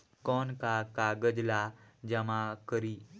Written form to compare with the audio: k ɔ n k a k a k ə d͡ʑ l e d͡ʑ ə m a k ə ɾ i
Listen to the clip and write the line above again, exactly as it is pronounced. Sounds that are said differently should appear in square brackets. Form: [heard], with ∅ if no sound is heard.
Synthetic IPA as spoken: k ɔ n k a k a [ɡ] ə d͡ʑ l [a] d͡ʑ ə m a k ə ɾ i